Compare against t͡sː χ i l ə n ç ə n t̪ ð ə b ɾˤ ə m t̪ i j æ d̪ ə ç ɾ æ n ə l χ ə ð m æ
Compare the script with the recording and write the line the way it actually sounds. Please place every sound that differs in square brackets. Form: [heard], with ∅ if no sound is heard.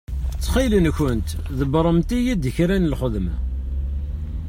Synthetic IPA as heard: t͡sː χ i l ə n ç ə n t̪ ð ə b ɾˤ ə m t̪ i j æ d̪ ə ç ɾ æ n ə l χ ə ð m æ